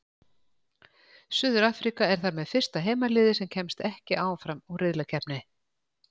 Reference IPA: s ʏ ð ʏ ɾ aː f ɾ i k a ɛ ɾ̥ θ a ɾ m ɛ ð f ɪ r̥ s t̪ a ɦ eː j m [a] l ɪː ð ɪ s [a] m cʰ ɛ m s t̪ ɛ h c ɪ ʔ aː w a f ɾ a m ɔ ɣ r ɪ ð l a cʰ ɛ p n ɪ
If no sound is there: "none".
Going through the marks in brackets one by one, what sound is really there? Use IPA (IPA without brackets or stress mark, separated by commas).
a, ɛ